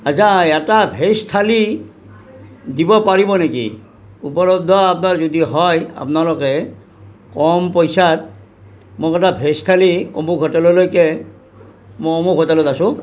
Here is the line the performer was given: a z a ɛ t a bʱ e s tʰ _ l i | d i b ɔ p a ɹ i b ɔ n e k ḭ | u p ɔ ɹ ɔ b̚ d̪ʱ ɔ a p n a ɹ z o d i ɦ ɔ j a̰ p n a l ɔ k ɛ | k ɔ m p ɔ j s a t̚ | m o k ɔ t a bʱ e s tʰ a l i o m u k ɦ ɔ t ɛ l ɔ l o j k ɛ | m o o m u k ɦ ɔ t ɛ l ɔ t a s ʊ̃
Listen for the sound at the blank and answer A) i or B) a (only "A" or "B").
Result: B